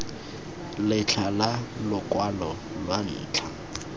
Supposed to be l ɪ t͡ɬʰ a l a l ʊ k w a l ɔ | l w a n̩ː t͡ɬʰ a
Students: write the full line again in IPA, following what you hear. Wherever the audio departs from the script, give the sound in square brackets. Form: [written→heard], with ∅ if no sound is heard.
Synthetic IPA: l ɪ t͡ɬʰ a l a l ʊ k w a l ɔ | l w a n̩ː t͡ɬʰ a